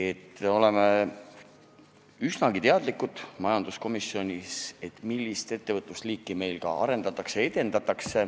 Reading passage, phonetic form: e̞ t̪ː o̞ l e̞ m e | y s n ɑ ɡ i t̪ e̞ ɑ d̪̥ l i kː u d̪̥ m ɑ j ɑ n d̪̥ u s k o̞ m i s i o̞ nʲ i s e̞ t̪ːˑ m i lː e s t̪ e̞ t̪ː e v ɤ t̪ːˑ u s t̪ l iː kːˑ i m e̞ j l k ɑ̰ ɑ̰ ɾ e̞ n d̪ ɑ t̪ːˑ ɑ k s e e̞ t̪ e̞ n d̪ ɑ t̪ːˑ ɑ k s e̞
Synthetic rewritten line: e̞ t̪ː o̞ l e̞ m e | y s n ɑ ɡ i t̪ e̞ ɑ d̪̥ l i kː u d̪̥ m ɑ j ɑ n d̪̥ u s k o̞ m i s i o̞ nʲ i s e̞ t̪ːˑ m i lː i s t̪ e̞ t̪ː e v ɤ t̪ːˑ u s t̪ l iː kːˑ i m e̞ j l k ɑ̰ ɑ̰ ɾ e̞ n d̪ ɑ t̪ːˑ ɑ k s e e̞ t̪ e̞ n d̪ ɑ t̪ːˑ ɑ k s e̞